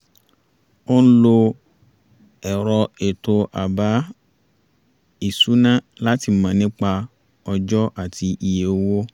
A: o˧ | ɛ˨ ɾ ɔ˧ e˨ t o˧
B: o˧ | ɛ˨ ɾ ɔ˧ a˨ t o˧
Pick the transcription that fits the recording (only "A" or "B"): A